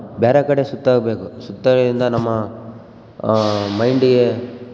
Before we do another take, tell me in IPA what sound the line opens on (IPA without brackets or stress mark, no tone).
b